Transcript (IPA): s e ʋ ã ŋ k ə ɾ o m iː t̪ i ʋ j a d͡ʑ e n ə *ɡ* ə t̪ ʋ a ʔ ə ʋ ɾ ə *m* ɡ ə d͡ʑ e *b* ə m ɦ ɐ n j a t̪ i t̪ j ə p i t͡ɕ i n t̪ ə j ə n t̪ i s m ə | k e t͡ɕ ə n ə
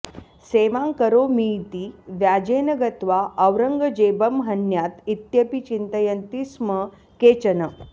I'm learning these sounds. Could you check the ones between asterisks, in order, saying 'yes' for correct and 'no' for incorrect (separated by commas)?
yes, no, yes